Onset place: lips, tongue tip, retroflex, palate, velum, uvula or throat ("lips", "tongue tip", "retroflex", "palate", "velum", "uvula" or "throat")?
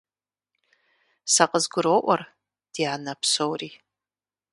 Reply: tongue tip